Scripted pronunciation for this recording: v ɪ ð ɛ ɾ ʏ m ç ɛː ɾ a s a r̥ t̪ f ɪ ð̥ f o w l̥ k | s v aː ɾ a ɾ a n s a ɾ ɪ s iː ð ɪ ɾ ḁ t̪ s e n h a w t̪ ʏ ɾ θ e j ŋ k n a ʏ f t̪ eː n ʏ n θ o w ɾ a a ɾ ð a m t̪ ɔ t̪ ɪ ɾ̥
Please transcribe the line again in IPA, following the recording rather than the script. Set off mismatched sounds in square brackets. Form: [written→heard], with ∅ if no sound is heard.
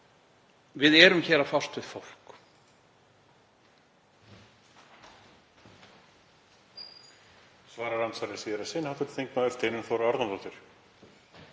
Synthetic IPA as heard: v ɪ ð ɛ ɾ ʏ m ç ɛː ɾ a [s→f] a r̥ t̪ [f→v] ɪ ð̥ f o w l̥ k | s v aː ɾ a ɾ a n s a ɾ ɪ s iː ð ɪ ɾ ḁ [t̪→∅] s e n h a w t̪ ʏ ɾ θ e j ŋ k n a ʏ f t̪ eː n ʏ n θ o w ɾ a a ɾ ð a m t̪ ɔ t̪ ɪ ɾ̥